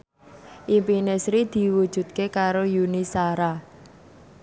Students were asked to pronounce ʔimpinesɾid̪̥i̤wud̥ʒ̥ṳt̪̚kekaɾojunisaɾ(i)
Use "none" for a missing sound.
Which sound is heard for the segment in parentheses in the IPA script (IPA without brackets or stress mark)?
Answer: a